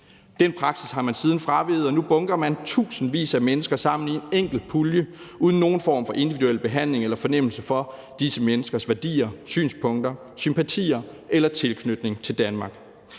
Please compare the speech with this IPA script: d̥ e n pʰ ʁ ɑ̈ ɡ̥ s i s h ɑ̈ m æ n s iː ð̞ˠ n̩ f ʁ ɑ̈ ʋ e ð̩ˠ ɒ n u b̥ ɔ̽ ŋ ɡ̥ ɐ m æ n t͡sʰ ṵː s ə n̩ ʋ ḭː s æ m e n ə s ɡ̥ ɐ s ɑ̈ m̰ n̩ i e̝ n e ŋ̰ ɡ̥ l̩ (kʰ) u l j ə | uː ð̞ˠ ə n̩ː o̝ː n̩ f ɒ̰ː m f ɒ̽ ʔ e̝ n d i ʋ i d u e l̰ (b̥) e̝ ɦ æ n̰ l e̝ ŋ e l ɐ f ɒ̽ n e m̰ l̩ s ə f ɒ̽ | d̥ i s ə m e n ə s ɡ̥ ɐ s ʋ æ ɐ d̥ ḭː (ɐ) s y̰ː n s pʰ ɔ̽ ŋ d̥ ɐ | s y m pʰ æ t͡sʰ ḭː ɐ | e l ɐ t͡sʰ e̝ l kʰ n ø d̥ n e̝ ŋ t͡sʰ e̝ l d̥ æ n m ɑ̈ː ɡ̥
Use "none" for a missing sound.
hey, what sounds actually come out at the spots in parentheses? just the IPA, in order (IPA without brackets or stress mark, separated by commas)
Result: pʰ, b̥, ɐ